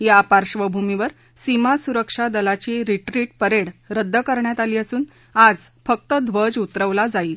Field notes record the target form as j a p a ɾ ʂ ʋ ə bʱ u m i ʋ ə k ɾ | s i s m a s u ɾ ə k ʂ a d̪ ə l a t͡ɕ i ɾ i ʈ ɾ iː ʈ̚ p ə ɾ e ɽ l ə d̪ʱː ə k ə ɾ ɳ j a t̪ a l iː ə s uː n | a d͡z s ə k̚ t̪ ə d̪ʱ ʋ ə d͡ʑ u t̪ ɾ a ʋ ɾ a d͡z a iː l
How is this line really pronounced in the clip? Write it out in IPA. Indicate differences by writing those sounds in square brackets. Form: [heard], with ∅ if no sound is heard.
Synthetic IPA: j a p a ɾ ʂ ʋ ə bʱ u m i ʋ ə [∅] ɾ | s i [∅] m a s u ɾ ə k ʂ a d̪ ə l a t͡ɕ i ɾ i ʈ ɾ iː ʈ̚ p ə ɾ e ɽ [ɾ] ə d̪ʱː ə k ə ɾ ɳ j a t̪ a l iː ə s uː n | a d͡z [f] ə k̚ t̪ ə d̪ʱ ʋ ə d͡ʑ u t̪ ɾ [ə] ʋ [l] a d͡z a iː l